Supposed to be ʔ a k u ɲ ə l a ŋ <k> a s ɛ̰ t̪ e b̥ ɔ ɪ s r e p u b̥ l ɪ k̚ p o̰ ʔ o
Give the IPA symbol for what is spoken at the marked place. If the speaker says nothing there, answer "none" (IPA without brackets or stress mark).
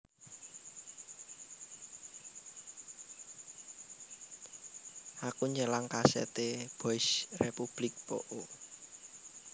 k